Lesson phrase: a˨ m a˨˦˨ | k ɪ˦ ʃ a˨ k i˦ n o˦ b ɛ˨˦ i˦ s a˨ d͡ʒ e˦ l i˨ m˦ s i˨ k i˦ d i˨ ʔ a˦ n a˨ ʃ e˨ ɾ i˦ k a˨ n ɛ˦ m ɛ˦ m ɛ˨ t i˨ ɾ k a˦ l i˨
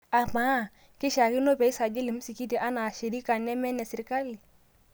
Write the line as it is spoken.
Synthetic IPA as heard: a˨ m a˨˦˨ | k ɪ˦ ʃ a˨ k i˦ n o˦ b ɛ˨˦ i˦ s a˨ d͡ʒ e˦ l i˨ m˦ s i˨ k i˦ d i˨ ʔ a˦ n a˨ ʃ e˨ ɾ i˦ k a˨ n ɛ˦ m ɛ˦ n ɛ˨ s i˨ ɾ k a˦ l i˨